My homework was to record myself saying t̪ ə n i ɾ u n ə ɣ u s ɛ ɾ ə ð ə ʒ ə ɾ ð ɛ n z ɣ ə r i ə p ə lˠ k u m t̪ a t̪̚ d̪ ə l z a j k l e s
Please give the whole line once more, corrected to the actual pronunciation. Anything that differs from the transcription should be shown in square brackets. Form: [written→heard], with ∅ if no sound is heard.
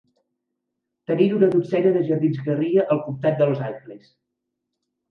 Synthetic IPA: t̪ ə n i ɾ u n ə [ɣ→ð] u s ɛ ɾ ə ð ə ʒ ə ɾ ð [ɛ→i] n z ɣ ə r i ə [p→ʔ] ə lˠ k u m t̪ a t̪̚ d̪ ə l z a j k l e s